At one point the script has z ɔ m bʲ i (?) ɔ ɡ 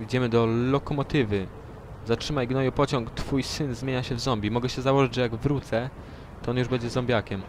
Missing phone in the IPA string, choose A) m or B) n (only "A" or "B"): A